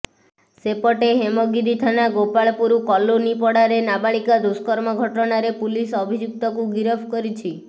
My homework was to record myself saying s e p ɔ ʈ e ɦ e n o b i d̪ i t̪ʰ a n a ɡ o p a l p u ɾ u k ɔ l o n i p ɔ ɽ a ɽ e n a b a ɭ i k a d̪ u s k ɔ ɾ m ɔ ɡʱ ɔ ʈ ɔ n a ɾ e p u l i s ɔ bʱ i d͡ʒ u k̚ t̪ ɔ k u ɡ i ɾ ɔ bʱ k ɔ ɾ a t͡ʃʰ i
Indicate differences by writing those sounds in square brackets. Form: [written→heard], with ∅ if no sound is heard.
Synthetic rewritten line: s e p ɔ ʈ e ɦ e [n→m] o [b→ɡ] i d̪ i t̪ʰ a n a ɡ o p a [l→ɭ] p u ɾ u k ɔ l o n i p ɔ ɽ a [ɽ→ɾ] e n a b a ɭ i k a d̪ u s k ɔ ɾ m ɔ ɡʱ ɔ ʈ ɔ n a ɾ e p u l i s ɔ bʱ i d͡ʒ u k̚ t̪ ɔ k u ɡ i ɾ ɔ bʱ k ɔ ɾ [a→i] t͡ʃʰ i